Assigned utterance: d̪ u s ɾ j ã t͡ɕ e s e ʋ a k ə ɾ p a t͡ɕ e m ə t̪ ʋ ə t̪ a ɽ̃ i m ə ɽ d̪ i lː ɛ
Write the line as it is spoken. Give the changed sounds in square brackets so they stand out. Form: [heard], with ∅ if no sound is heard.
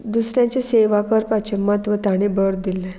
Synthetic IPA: d̪ u s ɾ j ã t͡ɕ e s e ʋ a k ə ɾ p a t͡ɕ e m ə t̪ ʋ ə t̪ a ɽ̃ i [b] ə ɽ d̪ i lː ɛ